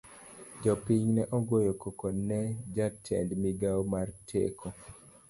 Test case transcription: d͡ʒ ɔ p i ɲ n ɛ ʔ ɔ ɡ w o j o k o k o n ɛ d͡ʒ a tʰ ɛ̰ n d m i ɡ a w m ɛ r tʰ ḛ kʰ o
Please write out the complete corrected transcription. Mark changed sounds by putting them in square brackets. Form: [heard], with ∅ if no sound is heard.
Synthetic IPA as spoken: d͡ʒ ɔ p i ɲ n ɛ ʔ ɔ ɡ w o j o k o k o n ɛ d͡ʒ a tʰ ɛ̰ n d m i ɡ a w m [a] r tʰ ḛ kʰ o